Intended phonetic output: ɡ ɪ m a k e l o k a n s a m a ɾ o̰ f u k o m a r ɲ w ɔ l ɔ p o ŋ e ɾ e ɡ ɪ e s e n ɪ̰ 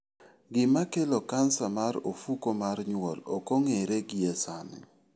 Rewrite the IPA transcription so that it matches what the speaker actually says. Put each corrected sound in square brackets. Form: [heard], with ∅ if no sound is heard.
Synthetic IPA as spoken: ɡ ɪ m a k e l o k a n s a m a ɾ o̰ f u k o m a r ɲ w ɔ l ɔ [k] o ŋ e ɾ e ɡ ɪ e s [a] n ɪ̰